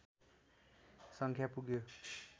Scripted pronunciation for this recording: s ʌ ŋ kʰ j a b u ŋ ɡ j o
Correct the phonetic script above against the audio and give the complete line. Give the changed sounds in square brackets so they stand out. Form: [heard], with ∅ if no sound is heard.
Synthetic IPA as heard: s ʌ ŋ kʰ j a [p] u [∅] ɡ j o